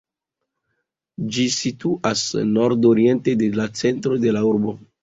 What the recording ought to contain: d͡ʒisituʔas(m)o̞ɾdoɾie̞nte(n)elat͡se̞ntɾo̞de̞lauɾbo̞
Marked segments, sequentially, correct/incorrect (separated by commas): incorrect, incorrect